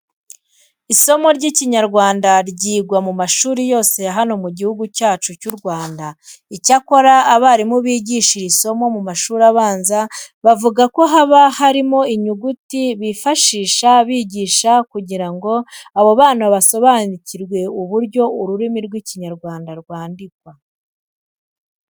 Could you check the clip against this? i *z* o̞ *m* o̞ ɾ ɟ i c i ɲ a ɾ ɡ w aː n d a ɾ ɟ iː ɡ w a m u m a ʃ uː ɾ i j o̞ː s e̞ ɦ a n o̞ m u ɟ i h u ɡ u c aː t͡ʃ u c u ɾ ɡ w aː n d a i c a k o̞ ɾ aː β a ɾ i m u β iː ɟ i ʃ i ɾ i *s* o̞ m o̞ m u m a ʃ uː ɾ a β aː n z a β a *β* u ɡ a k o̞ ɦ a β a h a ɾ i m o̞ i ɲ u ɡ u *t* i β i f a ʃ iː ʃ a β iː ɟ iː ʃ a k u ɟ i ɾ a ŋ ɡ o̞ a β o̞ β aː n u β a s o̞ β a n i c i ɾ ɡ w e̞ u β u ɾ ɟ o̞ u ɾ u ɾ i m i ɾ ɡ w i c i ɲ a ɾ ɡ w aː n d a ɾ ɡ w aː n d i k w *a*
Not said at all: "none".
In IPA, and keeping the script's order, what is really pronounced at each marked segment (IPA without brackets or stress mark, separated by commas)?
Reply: s, m, s, v, t, a